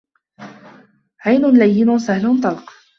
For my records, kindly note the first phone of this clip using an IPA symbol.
ʕ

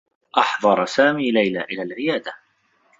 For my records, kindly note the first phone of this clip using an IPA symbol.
ʔ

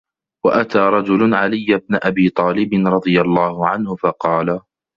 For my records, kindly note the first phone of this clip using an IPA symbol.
w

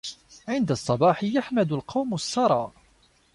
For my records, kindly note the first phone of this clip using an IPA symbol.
ʕ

